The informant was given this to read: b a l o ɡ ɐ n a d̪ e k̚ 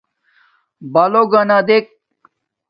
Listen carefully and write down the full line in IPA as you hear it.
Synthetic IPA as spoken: b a l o ɡ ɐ n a d̪ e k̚